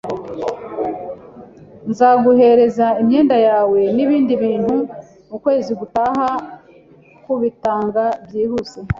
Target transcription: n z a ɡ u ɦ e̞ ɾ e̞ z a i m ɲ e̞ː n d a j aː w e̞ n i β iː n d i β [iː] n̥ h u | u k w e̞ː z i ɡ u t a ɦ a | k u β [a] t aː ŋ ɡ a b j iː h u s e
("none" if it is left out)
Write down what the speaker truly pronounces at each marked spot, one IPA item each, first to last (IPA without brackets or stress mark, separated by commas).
iː, i